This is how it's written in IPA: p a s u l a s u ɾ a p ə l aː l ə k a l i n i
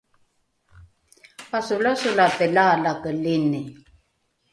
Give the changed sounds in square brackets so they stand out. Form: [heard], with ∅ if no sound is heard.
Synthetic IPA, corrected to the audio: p a s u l a s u [l] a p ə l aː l [a] k [ə] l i n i